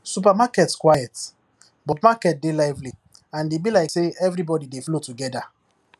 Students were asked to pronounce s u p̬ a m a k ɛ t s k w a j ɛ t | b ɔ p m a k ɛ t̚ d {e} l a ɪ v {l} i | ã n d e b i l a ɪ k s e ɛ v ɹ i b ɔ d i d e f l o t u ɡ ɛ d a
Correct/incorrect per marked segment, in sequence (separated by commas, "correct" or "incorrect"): correct, correct